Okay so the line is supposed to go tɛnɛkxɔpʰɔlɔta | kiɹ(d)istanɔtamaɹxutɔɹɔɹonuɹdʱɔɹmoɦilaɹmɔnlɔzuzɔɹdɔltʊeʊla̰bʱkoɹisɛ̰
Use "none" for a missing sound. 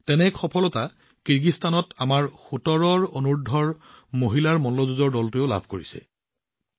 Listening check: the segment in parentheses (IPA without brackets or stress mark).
ɡ